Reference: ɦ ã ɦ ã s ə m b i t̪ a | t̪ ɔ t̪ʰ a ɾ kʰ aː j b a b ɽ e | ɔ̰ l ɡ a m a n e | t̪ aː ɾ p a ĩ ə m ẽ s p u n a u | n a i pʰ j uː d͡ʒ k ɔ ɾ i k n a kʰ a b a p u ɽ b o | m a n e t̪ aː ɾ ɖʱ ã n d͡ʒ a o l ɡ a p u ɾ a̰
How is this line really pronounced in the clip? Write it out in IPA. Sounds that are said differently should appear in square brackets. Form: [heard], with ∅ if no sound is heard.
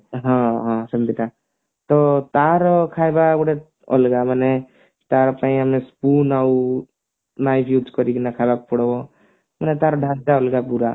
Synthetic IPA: ɦ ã ɦ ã s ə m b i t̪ a | t̪ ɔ [t̪] a ɾ kʰ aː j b a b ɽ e | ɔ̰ l ɡ a m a n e | t̪ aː ɾ p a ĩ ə m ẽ s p u n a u | n a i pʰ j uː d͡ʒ k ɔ ɾ i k n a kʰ a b a p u ɽ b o | m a n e t̪ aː ɾ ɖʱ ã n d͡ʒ a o l ɡ a p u ɾ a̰